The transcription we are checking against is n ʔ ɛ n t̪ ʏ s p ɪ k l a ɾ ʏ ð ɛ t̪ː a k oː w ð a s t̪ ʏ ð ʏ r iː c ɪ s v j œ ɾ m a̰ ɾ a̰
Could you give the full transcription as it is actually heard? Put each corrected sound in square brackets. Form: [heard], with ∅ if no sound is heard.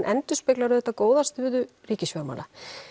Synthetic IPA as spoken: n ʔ ɛ n t̪ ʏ s p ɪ k l a ɾ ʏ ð ɛ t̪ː a k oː w ð a s t̪ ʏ ð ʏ r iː c ɪ s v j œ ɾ m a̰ [l] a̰

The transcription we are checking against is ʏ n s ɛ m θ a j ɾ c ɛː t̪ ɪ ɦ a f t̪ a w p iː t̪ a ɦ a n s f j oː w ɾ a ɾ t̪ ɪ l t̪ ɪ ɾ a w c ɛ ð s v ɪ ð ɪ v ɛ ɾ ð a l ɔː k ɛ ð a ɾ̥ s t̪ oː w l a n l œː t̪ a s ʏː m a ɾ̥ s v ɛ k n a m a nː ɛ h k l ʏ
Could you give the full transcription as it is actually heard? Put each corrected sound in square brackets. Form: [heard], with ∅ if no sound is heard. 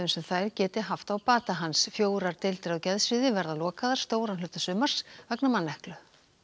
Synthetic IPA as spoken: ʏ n s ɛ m θ a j ɾ c ɛː t̪ ɪ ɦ a f t̪ a w p [aː] t̪ a ɦ a n s f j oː w ɾ a ɾ t̪ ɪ l t̪ ɪ ɾ a w c ɛ ð s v ɪ ð ɪ v ɛ ɾ ð a l ɔː k [a] ð a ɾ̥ s t̪ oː w [ɾ] a n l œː t̪ a s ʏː m a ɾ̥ s v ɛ k n a m a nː ɛ h k l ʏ

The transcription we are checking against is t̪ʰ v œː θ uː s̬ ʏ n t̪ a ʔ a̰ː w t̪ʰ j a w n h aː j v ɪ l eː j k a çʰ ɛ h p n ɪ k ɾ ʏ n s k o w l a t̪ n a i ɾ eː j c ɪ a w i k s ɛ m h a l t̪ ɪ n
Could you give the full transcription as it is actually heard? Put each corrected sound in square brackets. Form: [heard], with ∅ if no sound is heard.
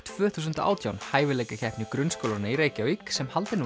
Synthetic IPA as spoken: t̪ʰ v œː θ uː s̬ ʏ n t̪ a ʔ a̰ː w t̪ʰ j a w n h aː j v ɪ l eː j k a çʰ ɛ h p n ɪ k ɾ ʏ n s k o w l a [∅] n a i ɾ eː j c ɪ a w i k s ɛ m h a l t̪ ɪ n

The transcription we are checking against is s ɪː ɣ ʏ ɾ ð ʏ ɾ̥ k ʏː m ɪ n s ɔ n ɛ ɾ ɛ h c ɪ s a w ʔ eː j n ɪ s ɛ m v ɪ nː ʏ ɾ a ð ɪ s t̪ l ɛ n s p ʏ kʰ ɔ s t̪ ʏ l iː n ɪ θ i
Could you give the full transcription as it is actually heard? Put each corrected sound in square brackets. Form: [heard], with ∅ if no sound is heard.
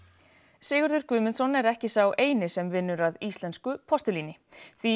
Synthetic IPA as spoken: s ɪː ɣ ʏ ɾ ð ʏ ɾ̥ k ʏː m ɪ n s ɔ n ɛ ɾ ɛ h c ɪ s a w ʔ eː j n ɪ s ɛ m v ɪ nː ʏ ɾ a ð [i] s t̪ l ɛ n s [k] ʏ [pʰ] ɔ s t̪ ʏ l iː n ɪ θ i

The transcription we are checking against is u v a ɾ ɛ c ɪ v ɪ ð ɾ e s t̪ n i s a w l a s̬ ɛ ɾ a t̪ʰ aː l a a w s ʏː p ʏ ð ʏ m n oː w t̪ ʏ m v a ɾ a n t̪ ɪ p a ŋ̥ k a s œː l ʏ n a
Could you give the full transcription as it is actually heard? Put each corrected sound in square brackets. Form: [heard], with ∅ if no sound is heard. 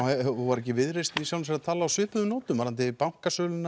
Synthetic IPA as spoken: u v a ɾ ɛ c ɪ v ɪ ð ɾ e s t̪ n i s a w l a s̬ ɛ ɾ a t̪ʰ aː l a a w s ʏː p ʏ ð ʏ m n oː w t̪ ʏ m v a ɾ a n t̪ ɪ p a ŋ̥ k a s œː l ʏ n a

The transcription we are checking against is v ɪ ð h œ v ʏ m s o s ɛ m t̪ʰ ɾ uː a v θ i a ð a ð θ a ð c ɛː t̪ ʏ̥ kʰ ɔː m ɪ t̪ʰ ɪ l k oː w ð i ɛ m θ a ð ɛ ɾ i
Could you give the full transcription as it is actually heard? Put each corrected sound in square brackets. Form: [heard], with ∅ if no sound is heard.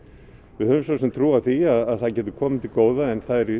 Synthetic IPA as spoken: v ɪ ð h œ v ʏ m s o s ɛ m t̪ʰ ɾ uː a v θ i a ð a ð θ a ð c ɛː t̪ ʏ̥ kʰ ɔː m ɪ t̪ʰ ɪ l k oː w ð [a] ɛ [n] θ a ð ɛ ɾ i

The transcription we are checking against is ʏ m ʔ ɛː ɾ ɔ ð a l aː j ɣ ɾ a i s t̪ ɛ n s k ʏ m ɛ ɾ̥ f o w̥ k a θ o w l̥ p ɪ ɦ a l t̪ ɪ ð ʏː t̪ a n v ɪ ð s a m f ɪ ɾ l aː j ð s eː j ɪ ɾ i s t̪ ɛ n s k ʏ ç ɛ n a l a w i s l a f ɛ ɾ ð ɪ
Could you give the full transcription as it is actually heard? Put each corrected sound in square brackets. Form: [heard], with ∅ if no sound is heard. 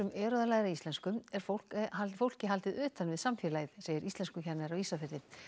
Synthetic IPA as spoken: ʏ m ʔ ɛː ɾ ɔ ð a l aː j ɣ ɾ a i s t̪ ɛ n s k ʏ m ɛ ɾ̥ f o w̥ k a [f] o w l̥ [c] ɪ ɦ a l t̪ ɪ ð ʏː t̪ a n v ɪ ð s a m f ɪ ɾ l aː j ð s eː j ɪ ɾ i s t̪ ɛ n s k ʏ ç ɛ n a [ɾ] a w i s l a f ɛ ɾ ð ɪ

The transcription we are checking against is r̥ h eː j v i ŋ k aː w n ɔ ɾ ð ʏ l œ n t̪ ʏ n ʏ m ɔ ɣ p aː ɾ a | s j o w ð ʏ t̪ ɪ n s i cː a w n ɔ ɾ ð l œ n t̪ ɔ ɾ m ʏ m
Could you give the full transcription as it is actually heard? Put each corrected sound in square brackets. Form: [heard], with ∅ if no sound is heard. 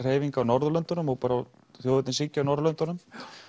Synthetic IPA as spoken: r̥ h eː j v i ŋ k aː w n ɔ ɾ ð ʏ l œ n t̪ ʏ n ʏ m ɔ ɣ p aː ɾ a | [θ] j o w ð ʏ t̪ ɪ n s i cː a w n ɔ ɾ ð l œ n t̪ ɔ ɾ [n] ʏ m

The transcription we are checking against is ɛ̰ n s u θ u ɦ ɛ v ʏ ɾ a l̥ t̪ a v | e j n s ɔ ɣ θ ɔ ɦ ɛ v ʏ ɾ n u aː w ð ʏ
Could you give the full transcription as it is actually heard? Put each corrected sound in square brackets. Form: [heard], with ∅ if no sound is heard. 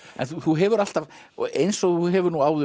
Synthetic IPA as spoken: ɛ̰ n [θ] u θ u ɦ ɛ v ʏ ɾ a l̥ t̪ a v | e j n s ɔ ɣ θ [u] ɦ ɛ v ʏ ɾ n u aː w ð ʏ

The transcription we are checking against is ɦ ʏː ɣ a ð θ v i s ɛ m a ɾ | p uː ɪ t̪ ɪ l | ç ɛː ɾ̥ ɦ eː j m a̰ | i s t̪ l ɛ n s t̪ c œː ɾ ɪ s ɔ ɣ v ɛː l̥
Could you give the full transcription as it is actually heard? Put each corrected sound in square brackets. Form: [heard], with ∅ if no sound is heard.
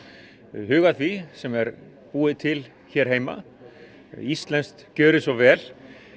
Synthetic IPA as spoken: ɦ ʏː ɣ a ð θ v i s ɛ m [ɛ] ɾ | p uː ɪ [t̪ʰ] ɪ l | ç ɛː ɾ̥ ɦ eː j m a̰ | i s t̪ l ɛ n s t̪ c œː ɾ ɪ s ɔ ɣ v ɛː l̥

